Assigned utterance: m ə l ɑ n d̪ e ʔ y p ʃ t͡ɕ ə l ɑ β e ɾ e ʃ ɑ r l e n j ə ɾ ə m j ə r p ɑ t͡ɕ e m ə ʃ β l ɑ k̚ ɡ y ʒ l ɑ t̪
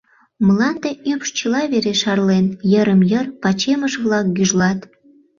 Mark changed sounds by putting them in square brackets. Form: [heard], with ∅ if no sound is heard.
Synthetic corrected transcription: m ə l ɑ n d̪ e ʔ y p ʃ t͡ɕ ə l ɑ β e ɾ e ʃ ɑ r l e n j ə ɾ ə m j ə r p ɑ t͡ɕ e m ə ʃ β l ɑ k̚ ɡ y ʒ l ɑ t̪